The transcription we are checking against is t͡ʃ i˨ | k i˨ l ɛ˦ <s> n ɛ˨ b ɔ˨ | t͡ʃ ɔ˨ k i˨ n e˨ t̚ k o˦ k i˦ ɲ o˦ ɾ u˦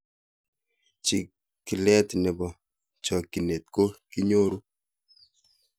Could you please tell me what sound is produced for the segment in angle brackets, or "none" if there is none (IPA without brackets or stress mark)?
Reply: t